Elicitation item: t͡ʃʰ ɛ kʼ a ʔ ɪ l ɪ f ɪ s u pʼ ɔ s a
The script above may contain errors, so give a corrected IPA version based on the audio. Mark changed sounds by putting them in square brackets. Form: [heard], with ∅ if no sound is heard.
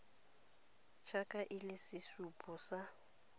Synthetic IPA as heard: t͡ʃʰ [a] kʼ a ʔ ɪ l ɪ [s] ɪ s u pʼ ɔ s a